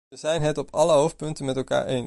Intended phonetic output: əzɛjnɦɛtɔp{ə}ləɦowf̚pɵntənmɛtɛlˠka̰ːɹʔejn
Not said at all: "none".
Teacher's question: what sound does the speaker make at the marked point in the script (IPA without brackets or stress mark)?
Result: ɑ